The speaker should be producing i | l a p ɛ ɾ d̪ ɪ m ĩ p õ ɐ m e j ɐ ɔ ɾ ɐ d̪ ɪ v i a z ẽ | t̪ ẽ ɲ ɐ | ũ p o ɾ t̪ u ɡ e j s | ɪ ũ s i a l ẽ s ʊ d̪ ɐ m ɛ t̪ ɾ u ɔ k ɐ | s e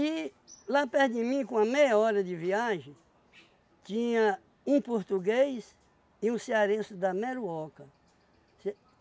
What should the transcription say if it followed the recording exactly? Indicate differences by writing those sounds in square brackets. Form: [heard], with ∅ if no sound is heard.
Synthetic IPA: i | l a p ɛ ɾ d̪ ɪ m ĩ [k] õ ɐ m e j ɐ ɔ ɾ ɐ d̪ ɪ v i a [ʒ] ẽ | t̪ [ĩ] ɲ ɐ | ũ p o ɾ t̪ u ɡ e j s | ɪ ũ s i a [ɾ] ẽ s ʊ d̪ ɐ m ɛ [∅] ɾ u ɔ k ɐ | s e